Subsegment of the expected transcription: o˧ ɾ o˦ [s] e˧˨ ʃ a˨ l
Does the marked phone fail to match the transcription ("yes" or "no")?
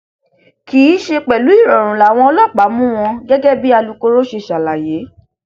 yes